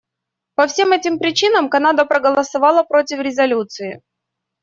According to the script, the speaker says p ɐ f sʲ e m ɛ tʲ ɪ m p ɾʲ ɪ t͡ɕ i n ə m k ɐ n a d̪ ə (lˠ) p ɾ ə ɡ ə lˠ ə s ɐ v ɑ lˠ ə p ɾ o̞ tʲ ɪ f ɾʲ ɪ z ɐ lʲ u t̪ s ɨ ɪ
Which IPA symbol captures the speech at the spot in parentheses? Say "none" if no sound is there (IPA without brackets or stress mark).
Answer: none